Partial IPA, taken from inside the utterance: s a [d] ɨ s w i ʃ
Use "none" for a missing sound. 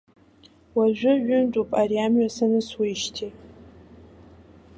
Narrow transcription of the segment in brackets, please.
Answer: n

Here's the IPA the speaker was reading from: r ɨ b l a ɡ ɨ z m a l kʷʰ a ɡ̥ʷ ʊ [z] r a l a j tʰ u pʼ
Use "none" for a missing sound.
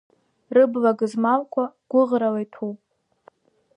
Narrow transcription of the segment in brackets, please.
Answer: ʁ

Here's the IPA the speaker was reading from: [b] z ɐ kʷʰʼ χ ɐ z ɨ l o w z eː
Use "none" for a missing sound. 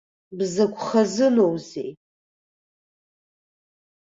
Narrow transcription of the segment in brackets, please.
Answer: b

